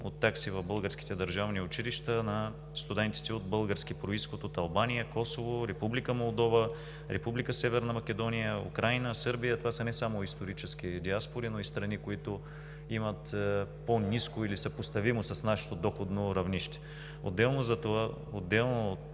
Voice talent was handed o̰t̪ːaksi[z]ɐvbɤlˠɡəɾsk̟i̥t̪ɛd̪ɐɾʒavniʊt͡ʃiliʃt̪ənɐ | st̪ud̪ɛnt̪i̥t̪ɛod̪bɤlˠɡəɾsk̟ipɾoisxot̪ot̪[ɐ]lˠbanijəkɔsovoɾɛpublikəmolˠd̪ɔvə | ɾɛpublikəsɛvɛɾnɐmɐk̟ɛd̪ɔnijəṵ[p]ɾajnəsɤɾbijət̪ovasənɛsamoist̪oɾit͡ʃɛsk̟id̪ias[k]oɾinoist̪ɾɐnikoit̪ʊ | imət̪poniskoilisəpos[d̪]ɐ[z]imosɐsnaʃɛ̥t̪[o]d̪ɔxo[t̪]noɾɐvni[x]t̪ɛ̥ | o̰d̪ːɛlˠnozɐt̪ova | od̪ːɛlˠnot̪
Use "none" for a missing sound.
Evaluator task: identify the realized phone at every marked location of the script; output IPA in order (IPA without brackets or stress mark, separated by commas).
v, ɐ, k, p, t̪, v, o, d̪, ʃ